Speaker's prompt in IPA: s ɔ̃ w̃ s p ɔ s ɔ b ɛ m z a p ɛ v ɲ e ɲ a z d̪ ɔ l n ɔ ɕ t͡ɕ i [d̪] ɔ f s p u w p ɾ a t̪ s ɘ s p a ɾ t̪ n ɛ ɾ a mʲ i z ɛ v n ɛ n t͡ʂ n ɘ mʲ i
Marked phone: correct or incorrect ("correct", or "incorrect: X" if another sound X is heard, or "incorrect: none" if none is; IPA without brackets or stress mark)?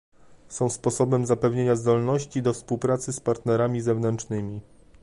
correct